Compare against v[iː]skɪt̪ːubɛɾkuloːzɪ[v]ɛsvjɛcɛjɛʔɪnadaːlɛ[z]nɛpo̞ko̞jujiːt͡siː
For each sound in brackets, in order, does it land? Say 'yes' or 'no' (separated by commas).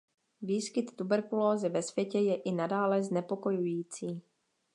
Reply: yes, yes, yes